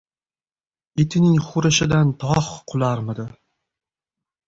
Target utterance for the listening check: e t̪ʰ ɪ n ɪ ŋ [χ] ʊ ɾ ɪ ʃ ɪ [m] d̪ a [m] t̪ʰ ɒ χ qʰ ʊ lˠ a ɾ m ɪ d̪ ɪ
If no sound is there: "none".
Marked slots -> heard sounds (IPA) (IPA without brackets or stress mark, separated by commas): χ, none, n